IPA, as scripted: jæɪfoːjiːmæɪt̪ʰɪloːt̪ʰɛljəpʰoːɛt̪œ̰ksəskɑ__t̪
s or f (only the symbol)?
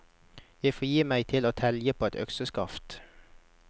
f